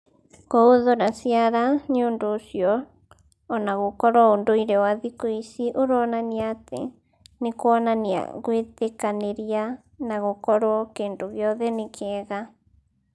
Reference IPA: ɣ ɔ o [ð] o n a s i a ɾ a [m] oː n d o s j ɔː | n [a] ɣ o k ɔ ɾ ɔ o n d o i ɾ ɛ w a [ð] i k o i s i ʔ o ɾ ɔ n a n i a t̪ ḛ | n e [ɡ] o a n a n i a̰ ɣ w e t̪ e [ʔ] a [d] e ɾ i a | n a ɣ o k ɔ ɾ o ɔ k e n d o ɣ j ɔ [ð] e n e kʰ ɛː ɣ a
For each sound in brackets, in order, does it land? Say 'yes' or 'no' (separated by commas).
yes, no, yes, yes, no, no, no, yes